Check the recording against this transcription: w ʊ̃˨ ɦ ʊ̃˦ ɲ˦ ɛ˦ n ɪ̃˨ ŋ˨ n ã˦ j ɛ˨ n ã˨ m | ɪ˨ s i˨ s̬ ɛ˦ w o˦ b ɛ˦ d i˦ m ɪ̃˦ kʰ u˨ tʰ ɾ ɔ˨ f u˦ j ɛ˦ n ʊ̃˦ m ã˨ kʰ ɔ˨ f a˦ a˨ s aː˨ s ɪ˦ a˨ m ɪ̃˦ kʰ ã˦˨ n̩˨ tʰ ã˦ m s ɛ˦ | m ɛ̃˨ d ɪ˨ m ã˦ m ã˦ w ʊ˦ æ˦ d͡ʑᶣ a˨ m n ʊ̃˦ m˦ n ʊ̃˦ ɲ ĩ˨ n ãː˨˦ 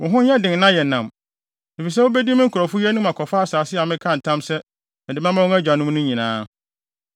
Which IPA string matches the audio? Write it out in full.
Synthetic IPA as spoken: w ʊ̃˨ ɦ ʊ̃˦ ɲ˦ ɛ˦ d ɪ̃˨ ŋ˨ n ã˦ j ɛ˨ n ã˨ m | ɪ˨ f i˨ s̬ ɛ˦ w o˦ b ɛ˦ d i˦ m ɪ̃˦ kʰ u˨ ɾ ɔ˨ f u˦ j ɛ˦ n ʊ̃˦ m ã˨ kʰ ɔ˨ f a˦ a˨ s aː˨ s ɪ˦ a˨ m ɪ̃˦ kʰ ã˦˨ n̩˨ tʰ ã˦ m s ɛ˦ | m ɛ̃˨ d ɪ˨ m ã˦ m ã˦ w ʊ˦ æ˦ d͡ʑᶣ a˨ n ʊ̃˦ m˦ n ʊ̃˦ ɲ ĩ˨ n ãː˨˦

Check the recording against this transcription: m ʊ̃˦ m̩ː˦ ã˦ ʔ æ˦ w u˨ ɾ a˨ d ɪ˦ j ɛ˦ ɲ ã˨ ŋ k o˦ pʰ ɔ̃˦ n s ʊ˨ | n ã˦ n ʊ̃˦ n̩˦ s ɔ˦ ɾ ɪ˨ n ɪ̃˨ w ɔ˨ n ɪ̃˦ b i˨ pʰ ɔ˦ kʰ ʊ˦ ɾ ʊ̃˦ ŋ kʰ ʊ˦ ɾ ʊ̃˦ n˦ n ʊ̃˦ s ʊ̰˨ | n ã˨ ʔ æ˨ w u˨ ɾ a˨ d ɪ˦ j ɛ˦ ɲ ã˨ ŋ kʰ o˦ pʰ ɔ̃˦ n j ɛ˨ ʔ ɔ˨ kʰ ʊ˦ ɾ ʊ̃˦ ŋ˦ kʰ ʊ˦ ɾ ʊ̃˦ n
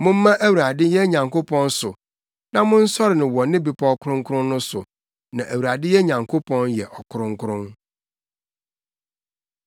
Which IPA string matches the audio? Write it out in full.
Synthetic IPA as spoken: m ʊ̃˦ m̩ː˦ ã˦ ʔ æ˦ w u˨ ɾ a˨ d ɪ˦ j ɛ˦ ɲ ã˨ ŋ k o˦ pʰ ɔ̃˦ n s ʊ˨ | n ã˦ m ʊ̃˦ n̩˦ s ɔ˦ ɾ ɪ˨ n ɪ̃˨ w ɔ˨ n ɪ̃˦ b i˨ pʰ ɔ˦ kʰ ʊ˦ ɾ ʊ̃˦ ŋ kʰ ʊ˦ ɾ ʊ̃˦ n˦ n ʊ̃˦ s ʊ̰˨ | n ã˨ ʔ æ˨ w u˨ ɾ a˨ d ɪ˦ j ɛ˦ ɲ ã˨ ŋ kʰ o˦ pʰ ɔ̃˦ n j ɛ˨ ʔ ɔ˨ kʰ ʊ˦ ɾ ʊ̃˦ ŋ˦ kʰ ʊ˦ ɾ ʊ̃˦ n

